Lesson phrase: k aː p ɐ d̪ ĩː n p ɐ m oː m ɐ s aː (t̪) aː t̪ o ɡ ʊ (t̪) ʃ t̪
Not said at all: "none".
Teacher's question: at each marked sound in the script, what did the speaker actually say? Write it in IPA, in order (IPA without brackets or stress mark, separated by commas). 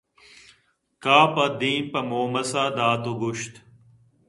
d̪, none